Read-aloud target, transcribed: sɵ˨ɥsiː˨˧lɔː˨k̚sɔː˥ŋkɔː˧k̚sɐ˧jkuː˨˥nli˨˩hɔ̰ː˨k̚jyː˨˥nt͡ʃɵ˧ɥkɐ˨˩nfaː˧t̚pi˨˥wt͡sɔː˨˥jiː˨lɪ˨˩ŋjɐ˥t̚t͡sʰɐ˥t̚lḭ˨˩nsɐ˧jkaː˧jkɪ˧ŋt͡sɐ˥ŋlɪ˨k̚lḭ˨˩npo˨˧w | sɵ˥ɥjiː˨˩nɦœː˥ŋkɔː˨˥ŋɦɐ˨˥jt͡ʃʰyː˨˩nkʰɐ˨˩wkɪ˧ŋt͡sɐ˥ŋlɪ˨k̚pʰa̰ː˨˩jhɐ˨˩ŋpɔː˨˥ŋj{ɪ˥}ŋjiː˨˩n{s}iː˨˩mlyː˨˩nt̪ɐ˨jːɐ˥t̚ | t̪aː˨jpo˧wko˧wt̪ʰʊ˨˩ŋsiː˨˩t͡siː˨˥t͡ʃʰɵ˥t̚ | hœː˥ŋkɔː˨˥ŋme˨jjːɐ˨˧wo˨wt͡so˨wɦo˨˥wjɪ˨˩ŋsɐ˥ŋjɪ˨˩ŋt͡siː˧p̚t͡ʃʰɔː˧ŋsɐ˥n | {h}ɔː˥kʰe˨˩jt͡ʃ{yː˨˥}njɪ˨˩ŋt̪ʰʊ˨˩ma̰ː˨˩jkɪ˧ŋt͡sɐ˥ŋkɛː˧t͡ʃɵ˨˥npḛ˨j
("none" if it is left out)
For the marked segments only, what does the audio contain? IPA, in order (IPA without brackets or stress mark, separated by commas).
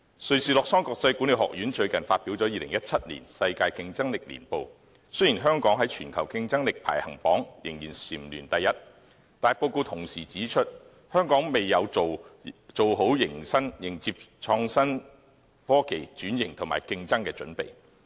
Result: ɪ˨˩, s, f, yː˨˥